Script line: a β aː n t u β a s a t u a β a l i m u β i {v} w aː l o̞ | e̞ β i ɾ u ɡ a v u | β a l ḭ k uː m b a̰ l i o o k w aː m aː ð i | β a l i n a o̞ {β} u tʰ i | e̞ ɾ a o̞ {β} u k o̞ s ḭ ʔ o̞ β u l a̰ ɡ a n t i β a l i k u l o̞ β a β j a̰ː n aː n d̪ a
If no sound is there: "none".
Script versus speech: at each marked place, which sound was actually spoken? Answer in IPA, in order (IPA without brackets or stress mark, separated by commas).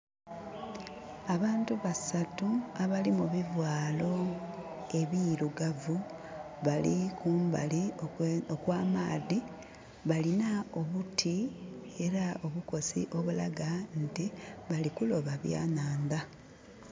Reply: v, β, β